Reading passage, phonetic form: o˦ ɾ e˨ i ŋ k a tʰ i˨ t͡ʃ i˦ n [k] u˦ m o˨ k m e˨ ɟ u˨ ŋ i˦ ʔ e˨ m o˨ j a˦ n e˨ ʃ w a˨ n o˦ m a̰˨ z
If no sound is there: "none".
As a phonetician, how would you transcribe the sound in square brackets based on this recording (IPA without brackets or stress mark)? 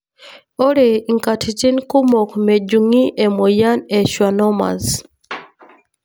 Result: k